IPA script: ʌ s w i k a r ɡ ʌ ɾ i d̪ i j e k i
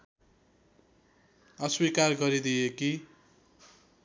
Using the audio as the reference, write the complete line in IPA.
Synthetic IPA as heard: ʌ s w i k a r ɡ ʌ ɾ i d̪ i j e k i